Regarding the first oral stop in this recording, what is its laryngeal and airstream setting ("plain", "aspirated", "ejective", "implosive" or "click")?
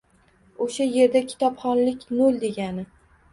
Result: plain